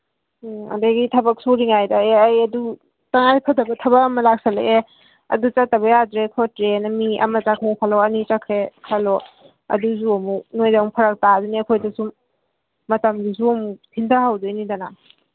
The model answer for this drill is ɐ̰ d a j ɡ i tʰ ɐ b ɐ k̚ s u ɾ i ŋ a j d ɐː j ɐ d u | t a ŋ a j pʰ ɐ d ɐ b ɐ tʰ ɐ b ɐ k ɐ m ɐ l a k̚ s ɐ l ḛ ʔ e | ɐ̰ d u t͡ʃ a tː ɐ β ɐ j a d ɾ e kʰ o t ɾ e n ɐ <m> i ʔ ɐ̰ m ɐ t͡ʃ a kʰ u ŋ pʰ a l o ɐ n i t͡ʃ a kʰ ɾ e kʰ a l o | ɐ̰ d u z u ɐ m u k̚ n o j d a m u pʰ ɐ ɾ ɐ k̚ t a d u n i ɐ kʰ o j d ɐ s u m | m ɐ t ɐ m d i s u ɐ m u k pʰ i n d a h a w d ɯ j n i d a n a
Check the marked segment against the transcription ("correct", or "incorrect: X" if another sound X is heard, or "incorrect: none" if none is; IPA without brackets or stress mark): correct